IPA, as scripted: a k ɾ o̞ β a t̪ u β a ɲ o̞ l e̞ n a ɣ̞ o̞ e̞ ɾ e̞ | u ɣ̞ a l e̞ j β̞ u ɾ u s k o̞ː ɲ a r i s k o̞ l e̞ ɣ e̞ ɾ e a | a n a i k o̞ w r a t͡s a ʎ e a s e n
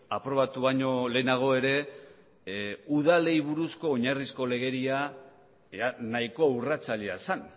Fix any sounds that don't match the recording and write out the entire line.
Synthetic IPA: a p ɾ o̞ β a t̪ u β a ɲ o̞ l e̞ n a ɣ̞ o̞ e̞ ɾ e̞ | u ð̞ a l e̞ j β̞ u ɾ u s k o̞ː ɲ a r i s k o̞ l e̞ ɣ e̞ ɾ i a | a n a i k o̞ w r a t͡s a ʎ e a s a n